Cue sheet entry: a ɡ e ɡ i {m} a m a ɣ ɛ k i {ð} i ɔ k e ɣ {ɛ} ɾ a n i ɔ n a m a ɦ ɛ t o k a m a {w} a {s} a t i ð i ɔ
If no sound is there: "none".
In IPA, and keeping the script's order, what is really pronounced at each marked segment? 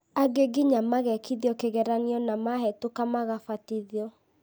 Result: ɲ, ð, ɛ, ɣ, f

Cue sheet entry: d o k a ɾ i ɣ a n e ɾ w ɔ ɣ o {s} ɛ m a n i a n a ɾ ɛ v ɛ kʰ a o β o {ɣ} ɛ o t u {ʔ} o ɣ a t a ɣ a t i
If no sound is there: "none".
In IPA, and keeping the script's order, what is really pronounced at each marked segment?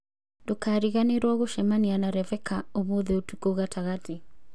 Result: ʃ, ð, k

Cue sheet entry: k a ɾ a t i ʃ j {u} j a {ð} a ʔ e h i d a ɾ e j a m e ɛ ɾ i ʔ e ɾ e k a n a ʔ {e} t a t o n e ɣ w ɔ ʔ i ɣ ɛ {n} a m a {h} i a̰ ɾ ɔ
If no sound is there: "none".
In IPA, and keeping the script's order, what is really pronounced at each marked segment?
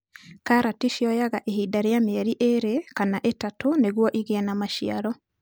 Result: ɔ, ɣ, e, n, ʃ

